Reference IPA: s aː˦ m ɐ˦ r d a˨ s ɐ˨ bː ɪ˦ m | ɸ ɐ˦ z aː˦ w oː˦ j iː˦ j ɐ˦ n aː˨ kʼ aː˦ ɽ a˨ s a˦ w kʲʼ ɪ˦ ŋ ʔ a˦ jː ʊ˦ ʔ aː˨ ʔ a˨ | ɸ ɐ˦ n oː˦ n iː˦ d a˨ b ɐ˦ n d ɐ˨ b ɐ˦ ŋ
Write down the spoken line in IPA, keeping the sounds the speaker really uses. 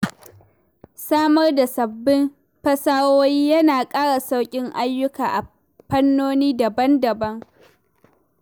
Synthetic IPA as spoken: s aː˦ m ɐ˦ r d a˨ s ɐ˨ bː ɪ˦ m | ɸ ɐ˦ s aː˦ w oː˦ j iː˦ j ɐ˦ n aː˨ kʼ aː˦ ɽ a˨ s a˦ w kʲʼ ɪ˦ ŋ ʔ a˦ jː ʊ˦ k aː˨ ʔ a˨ | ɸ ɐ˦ nː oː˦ n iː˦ d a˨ b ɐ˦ n d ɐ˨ b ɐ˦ ŋ